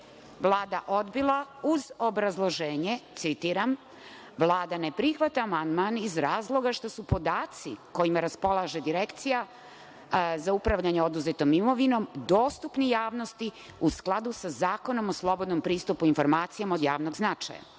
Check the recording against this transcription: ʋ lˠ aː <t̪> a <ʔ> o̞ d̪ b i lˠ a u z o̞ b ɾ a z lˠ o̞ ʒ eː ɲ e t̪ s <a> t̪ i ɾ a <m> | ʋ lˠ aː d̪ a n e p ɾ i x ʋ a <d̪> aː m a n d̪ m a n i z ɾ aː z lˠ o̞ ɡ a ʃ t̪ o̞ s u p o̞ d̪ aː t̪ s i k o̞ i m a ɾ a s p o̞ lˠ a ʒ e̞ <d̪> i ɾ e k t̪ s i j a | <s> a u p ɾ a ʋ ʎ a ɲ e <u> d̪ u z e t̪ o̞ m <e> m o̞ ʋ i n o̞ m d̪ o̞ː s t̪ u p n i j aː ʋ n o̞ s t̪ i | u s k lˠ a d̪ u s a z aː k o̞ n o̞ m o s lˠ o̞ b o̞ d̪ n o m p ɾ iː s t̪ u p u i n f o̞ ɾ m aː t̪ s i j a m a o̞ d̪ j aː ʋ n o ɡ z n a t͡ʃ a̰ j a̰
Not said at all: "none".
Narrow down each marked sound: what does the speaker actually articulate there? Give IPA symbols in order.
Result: d̪, ʔ, i, m, t̪, d̪, z, o, i

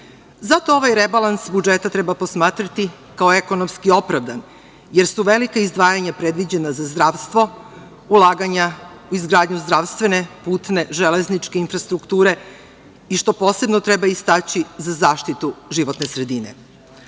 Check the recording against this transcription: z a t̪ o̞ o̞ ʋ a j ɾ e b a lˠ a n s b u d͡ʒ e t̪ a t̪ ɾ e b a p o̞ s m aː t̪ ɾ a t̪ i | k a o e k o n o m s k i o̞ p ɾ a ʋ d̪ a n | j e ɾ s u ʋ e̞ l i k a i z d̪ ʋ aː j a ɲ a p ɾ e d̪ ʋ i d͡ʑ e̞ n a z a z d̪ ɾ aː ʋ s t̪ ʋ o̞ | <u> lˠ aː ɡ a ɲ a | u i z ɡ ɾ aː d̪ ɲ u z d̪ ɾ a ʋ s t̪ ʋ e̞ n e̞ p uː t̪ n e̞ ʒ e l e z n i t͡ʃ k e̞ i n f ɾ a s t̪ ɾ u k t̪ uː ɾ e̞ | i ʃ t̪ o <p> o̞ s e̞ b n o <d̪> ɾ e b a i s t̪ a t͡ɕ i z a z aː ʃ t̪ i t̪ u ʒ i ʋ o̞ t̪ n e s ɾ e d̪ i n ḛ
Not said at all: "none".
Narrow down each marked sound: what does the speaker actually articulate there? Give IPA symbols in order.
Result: u, p, t̪

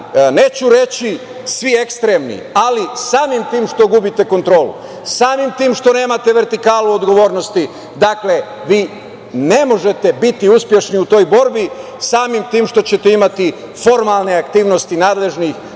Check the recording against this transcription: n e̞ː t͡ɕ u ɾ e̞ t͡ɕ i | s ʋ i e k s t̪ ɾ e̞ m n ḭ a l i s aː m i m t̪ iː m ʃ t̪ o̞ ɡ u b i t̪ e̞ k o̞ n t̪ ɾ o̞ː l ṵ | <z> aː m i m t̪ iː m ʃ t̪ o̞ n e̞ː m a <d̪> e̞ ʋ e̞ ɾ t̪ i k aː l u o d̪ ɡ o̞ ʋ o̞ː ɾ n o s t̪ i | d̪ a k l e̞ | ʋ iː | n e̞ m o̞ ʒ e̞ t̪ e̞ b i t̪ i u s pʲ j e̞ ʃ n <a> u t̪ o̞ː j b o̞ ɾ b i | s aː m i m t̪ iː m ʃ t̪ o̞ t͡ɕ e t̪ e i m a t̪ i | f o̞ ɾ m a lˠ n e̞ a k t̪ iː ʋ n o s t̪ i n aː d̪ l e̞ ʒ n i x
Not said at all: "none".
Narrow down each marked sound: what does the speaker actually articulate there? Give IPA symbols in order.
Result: s, t̪, i

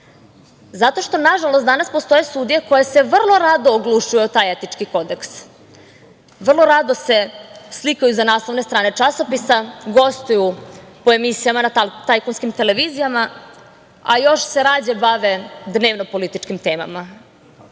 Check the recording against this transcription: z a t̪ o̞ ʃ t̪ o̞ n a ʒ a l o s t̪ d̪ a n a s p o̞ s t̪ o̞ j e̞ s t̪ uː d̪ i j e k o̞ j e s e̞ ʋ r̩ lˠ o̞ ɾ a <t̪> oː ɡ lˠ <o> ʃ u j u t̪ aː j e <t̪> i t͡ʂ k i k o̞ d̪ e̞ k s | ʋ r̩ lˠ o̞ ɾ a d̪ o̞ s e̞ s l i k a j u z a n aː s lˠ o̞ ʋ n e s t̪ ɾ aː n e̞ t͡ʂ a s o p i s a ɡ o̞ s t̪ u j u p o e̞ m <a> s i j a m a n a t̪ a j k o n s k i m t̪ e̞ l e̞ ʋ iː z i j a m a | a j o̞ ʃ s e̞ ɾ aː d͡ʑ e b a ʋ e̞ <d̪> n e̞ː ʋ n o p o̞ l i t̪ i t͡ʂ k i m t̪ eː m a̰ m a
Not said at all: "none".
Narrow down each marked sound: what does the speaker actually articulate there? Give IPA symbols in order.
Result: d̪, u, t̪, i, d̪

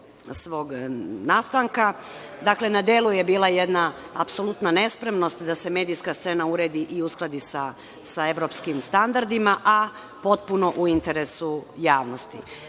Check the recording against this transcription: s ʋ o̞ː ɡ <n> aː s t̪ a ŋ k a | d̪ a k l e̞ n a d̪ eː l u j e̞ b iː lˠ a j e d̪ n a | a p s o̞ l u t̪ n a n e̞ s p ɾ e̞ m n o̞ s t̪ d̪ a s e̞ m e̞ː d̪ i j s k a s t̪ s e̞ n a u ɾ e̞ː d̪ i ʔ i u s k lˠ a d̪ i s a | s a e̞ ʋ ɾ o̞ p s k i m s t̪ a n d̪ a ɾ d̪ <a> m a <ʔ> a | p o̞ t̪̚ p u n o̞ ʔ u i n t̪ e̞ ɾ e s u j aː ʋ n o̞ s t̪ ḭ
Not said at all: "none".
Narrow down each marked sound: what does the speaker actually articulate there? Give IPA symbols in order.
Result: n, i, ʔ

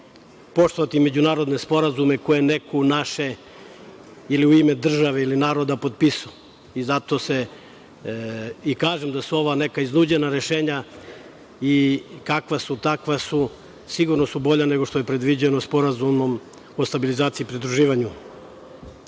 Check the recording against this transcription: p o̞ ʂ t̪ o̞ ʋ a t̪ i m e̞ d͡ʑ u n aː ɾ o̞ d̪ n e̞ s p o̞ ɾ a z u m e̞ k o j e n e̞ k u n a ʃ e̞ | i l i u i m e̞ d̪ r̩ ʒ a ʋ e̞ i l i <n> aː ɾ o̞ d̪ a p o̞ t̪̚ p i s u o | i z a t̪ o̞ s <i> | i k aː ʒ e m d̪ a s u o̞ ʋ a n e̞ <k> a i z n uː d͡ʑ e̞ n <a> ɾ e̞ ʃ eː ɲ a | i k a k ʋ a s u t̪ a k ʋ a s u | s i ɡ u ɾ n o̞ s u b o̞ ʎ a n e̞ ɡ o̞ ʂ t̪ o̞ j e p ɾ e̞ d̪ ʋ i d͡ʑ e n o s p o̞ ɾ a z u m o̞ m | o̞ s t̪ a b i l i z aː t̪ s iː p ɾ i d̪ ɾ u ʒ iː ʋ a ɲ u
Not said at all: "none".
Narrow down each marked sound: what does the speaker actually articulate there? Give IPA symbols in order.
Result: n, e, k, a

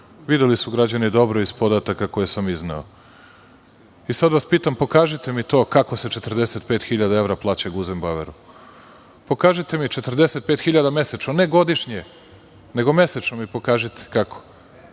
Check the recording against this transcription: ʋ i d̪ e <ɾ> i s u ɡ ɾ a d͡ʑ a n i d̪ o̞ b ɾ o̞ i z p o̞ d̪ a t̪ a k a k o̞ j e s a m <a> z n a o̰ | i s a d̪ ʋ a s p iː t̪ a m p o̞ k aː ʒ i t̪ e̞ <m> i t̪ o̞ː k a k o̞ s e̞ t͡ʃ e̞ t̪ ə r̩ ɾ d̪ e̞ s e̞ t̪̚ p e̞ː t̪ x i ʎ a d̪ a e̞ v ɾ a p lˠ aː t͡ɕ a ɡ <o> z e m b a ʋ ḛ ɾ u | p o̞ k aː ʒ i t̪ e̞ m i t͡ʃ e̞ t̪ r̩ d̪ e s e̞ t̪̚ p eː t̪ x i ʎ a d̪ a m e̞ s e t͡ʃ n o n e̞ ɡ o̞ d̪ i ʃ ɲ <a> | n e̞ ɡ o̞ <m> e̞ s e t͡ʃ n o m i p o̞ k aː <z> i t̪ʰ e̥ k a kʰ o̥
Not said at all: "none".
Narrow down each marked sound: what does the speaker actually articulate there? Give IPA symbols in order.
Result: l, i, m, u, e, m, ʒ

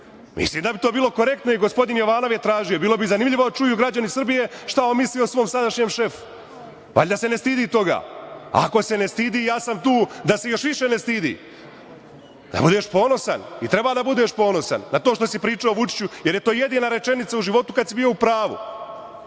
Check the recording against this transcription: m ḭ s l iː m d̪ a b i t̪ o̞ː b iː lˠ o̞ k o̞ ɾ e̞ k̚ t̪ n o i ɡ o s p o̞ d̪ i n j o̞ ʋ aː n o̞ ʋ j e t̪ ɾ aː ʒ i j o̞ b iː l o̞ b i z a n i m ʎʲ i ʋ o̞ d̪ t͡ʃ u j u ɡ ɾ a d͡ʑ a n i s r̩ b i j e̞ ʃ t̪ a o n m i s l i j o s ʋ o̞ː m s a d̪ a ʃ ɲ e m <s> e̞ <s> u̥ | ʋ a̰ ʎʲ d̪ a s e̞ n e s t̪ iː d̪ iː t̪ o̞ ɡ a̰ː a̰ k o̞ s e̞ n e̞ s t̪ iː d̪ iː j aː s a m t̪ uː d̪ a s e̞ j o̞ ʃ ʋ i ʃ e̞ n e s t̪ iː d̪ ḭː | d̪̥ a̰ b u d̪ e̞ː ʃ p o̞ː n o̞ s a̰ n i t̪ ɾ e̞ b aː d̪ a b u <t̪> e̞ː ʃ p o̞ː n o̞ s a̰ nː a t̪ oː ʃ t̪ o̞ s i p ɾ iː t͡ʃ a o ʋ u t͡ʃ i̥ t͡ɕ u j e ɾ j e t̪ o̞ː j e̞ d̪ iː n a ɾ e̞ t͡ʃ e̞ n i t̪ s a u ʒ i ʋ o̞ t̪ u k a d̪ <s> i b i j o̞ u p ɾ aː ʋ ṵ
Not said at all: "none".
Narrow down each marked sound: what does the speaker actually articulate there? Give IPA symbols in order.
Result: ʃ, f, d̪, s

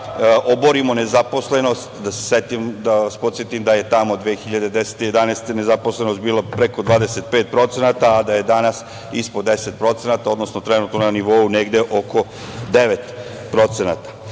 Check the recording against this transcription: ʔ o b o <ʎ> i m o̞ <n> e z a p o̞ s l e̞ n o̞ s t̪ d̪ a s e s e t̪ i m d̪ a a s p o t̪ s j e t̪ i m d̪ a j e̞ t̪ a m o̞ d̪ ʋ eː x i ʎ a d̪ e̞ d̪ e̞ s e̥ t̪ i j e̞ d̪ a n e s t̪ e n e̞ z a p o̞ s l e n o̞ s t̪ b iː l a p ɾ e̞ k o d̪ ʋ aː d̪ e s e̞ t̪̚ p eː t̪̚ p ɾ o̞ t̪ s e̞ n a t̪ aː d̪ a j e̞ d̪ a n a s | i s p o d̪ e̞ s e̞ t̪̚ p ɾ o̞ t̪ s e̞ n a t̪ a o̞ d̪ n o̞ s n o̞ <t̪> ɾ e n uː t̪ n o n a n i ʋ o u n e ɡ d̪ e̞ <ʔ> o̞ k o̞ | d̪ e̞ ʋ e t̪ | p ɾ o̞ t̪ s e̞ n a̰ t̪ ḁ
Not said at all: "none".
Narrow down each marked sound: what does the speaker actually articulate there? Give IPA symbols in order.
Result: ɾ, n, t̪, ʔ

